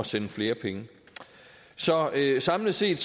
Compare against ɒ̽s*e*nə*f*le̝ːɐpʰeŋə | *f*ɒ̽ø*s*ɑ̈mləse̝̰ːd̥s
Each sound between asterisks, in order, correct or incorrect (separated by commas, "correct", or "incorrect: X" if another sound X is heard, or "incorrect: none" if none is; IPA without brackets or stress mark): correct, correct, incorrect: s, correct